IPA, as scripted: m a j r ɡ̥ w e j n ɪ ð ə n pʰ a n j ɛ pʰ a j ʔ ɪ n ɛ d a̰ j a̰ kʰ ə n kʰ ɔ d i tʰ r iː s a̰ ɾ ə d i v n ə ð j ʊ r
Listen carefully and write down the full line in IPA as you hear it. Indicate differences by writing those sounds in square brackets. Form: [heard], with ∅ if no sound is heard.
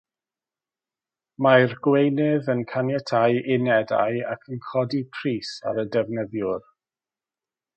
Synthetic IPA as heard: m a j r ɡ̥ w e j n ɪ ð ə n [kʰ] a n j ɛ [tʰ] a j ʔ ɪ n ɛ d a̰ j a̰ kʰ ə n kʰ ɔ d i [pʰ] r iː s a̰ ɾ ə d [ɛ] v n ə ð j ʊ r